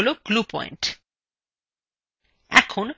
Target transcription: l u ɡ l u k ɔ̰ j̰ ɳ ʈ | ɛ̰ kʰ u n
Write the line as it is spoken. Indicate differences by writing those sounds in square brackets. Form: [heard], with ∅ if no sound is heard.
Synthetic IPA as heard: l [o] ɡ l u [p] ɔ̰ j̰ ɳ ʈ | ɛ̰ kʰ [o] n